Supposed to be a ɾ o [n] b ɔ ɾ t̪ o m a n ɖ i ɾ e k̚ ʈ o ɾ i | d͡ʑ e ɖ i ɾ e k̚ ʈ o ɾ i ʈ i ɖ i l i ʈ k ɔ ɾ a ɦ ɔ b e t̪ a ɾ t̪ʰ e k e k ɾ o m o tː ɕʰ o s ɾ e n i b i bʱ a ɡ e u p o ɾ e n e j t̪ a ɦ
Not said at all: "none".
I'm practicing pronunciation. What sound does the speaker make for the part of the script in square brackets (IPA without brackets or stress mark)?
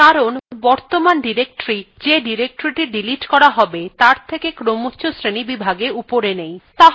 n